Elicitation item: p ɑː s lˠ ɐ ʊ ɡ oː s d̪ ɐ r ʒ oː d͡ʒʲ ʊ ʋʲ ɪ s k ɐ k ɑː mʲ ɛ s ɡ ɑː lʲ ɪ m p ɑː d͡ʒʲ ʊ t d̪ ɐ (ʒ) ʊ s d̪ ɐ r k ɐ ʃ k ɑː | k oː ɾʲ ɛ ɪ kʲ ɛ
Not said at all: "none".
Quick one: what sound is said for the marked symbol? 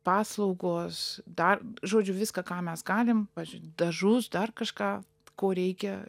ʒ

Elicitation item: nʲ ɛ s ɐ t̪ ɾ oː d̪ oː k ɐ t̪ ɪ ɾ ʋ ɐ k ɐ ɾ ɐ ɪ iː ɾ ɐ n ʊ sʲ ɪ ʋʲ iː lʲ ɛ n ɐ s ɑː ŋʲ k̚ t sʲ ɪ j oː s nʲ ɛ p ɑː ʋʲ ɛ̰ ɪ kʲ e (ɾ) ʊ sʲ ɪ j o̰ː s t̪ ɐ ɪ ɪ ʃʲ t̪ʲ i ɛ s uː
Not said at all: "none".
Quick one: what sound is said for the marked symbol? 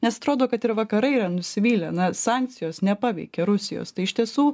ɾ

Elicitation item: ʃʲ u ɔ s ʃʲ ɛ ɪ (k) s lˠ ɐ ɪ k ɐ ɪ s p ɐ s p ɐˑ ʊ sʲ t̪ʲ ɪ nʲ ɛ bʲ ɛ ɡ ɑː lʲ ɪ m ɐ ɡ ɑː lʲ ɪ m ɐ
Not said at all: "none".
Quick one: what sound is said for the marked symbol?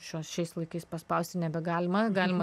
none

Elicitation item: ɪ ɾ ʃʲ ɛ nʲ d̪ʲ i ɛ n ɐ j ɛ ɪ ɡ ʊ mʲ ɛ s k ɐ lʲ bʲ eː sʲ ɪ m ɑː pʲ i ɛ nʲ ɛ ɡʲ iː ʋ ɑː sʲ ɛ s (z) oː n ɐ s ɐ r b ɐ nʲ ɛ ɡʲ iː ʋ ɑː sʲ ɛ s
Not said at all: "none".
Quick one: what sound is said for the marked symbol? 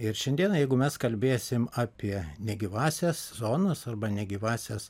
z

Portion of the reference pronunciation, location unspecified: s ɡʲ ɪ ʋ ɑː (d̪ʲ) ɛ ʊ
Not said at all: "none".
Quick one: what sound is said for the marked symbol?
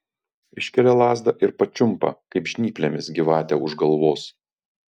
t̪ʲ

